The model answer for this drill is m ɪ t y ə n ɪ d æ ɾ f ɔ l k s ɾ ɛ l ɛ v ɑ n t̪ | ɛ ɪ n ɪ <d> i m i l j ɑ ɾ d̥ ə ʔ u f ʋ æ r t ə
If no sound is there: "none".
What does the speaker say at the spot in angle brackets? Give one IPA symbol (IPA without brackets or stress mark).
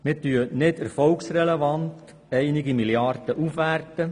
ɡ